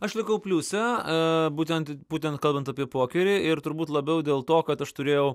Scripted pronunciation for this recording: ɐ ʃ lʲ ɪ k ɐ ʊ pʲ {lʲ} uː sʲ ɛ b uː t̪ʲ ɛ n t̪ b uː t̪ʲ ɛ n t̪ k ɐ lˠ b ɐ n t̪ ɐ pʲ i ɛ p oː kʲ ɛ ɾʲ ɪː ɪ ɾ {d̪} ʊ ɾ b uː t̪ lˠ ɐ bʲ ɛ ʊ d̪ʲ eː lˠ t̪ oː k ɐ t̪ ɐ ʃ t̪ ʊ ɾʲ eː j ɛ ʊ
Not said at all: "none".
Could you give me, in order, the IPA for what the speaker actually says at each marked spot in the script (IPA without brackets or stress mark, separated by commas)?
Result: lʲ, t̪